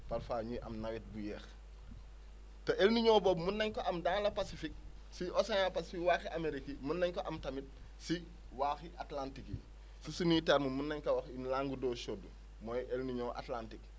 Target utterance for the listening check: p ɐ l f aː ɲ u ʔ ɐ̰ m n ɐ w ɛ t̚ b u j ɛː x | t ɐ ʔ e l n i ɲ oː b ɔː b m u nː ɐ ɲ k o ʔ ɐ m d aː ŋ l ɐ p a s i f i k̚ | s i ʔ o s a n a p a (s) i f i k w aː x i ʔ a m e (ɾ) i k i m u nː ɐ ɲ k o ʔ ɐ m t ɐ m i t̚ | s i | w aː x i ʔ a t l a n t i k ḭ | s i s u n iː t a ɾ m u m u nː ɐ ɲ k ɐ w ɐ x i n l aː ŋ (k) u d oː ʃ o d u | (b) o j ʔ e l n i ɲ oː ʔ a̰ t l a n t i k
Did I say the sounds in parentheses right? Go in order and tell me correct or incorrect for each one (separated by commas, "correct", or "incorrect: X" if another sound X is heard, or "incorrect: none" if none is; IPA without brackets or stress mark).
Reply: correct, correct, incorrect: ɡ, incorrect: m